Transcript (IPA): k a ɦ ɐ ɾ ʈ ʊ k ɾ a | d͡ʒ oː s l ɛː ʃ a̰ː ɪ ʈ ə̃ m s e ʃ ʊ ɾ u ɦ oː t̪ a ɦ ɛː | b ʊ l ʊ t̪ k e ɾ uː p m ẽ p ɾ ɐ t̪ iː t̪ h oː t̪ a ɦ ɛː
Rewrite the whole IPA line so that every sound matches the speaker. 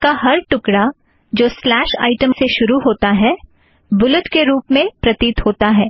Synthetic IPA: k a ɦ ɐ ɾ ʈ ʊ k ɽ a | d͡ʒ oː s l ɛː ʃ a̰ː ɪ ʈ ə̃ m s e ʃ ʊ ɾ u ɦ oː t̪ a ɦ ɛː | b ʊ l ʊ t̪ k e ɾ uː p m ẽ p ɾ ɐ t̪ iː t̪ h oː t̪ a ɦ ɛː